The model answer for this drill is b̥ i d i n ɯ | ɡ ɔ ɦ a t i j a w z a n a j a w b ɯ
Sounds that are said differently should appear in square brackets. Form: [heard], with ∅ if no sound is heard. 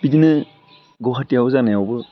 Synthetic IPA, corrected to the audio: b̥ i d i n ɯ | ɡ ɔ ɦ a t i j a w z a n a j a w b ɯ